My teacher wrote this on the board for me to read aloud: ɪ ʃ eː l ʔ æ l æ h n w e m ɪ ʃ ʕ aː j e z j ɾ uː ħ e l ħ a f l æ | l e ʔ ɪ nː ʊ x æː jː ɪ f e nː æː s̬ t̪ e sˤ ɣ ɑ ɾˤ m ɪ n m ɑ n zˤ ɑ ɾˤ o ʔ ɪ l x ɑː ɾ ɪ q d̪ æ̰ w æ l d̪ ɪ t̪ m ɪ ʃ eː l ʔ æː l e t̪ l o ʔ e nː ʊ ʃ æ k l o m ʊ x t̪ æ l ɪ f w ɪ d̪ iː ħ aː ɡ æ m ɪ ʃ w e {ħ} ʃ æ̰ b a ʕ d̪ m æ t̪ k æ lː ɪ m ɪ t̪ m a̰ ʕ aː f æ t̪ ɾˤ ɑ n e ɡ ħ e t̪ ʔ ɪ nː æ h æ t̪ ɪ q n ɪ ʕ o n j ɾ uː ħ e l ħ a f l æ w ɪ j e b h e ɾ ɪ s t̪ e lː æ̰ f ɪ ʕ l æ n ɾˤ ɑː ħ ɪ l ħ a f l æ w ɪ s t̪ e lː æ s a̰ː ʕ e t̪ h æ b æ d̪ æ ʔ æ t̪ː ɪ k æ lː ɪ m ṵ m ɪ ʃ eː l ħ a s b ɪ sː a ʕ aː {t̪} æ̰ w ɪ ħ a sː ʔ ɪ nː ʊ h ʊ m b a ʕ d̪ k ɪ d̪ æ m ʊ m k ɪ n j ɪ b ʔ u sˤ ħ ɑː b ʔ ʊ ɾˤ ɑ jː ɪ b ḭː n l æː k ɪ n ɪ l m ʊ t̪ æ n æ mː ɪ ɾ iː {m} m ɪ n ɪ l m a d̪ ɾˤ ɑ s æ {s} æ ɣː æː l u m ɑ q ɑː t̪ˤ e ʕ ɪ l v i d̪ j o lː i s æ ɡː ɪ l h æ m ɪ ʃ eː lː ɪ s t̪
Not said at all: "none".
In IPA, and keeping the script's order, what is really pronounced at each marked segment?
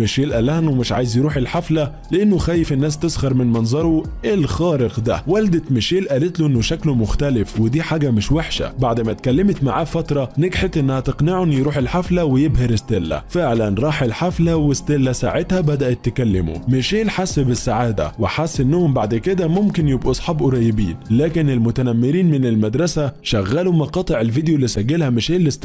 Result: ħ, d̪, n, ʃ

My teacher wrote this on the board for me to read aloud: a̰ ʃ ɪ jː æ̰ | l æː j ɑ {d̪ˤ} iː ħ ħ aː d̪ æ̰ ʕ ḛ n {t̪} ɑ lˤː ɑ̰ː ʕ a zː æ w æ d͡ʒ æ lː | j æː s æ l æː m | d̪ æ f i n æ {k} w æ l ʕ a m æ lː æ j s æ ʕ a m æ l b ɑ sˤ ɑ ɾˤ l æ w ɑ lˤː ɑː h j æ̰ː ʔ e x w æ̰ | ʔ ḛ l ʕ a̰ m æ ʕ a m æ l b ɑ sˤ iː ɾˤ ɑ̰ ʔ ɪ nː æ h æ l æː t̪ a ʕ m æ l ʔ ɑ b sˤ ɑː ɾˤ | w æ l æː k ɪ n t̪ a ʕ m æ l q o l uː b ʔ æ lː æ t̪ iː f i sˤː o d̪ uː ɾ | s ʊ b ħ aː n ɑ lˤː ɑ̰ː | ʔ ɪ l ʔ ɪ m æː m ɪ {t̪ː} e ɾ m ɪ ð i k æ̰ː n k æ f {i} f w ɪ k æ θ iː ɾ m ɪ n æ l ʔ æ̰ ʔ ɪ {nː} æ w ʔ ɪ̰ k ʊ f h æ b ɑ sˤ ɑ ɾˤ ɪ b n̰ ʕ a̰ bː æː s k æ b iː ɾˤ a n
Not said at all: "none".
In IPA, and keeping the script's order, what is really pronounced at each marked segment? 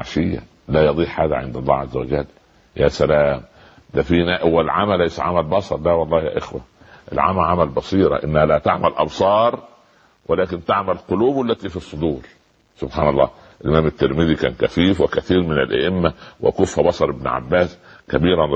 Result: d̪ˤ, d̪, ʔ, t̪ː, iː, mː

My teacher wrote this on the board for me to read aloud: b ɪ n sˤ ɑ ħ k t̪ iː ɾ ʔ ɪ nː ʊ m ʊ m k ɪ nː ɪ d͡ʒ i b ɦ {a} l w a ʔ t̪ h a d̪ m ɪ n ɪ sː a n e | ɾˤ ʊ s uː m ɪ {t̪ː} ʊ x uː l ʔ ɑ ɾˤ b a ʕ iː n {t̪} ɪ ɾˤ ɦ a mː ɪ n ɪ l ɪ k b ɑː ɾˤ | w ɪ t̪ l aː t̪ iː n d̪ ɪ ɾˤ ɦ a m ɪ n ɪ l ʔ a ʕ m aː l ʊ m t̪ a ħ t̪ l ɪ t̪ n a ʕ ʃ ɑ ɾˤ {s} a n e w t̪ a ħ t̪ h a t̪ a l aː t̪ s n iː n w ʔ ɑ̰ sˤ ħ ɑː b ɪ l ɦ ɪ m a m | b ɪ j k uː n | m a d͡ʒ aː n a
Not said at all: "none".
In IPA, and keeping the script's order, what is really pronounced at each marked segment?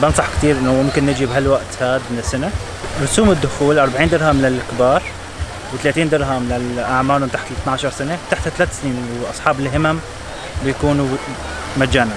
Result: a, d̪ː, d̪, s

